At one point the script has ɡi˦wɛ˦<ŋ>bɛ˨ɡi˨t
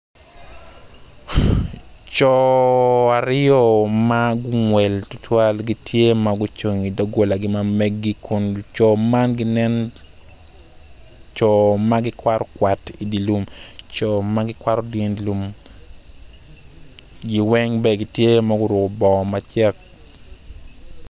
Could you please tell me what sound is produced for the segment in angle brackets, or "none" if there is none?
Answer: ŋ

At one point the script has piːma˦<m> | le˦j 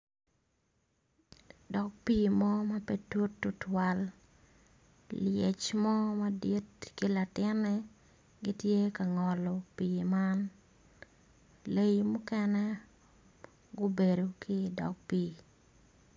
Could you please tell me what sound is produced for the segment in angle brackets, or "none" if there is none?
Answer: n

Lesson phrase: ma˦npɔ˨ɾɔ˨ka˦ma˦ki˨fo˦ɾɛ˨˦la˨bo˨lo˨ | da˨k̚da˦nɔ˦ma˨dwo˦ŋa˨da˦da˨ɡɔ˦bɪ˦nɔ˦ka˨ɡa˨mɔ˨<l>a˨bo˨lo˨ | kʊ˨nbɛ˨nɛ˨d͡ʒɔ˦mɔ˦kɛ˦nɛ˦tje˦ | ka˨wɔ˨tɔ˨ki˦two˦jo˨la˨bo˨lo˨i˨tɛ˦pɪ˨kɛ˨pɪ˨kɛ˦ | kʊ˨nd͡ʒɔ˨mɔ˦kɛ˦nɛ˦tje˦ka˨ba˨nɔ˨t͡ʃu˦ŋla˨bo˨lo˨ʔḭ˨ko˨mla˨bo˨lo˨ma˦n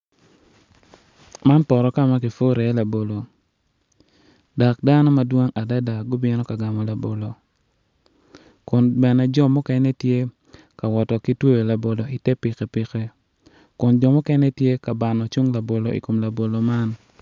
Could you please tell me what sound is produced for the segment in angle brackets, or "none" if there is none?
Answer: l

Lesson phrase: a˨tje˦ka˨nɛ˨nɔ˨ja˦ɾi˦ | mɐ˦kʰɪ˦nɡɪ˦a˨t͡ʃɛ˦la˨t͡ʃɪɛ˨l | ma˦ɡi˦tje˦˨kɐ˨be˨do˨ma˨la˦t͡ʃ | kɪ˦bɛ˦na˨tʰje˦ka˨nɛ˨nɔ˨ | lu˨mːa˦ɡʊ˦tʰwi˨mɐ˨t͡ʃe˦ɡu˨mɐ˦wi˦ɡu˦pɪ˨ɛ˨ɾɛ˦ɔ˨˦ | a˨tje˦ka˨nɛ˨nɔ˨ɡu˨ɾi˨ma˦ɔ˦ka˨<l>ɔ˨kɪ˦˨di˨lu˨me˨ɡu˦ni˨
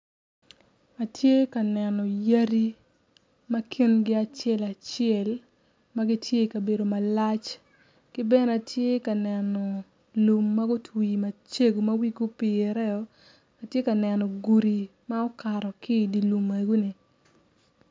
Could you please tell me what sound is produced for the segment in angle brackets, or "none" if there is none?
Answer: ɾ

